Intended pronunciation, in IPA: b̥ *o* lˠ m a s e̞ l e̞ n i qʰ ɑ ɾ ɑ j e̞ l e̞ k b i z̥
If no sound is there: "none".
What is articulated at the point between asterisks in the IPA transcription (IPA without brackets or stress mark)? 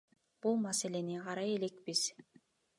u